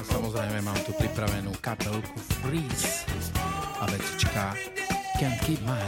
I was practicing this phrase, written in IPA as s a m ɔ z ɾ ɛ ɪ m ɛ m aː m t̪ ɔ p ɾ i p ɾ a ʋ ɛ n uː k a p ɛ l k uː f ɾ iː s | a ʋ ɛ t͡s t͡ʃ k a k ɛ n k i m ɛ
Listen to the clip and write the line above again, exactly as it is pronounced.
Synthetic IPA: s a m ɔ z ɾ ɛ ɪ m ɛ m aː m t̪ u p ɾ i p ɾ a ʋ ɛ n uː k a p ɛ l k u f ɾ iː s | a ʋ ɛ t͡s t͡ʃ k a k ɛ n k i m a